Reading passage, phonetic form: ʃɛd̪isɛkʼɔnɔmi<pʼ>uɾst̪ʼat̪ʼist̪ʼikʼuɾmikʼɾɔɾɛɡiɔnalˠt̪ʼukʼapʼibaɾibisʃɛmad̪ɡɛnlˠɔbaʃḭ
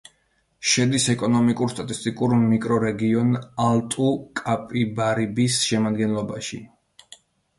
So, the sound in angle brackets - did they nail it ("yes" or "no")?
no